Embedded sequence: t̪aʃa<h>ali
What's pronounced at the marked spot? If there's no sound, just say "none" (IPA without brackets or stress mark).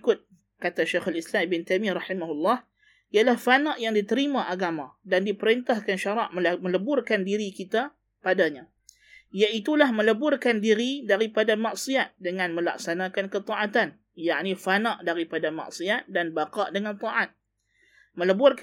x